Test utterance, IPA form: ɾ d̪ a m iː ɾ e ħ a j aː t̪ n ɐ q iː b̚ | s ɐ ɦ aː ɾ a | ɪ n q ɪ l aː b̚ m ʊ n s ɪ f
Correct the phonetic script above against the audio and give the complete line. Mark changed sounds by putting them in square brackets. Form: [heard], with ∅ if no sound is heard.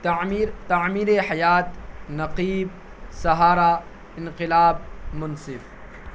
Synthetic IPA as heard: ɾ [t̪] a m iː ɾ e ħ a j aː t̪ n ɐ q iː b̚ | s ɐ ɦ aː ɾ a | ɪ n q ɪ l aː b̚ m ʊ n s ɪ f